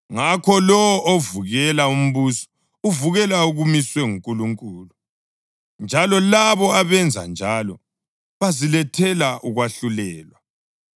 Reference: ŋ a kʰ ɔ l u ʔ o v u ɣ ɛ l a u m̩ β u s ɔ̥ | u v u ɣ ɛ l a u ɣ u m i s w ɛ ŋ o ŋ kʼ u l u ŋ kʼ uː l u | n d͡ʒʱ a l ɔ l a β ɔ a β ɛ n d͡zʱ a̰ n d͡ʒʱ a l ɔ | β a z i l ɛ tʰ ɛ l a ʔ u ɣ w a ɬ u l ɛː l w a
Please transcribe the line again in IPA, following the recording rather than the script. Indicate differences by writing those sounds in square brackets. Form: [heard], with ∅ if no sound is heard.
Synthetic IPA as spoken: ŋ a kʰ ɔ l [ɔ] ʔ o v u ɣ ɛ l a u m̩ β u s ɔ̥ | u v u ɣ ɛ l a u ɣ u m i s w ɛ ŋ [u] ŋ kʼ u l u ŋ kʼ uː l u | n d͡ʒʱ a l ɔ l a β ɔ a β ɛ n d͡zʱ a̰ n d͡ʒʱ a l ɔ | β a z i l ɛ tʰ ɛ l a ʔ u ɣ w a ɬ u l ɛː l w a